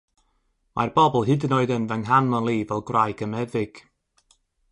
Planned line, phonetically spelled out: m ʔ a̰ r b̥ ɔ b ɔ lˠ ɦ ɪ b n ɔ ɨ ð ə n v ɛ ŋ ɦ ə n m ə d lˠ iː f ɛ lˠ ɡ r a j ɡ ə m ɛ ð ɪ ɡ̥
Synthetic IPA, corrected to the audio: m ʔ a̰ r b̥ ɔ b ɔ lˠ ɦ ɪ d n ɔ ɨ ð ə n v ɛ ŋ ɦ a n m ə n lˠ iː v ɛ lˠ ɡ r a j ɡ ə m ɛ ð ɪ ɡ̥